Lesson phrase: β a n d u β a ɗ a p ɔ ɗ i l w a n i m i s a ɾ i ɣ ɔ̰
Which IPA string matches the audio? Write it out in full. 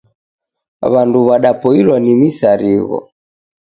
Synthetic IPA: β a n d u β a ɗ a p ɔ i l w a n i m i s a ɾ i ɣ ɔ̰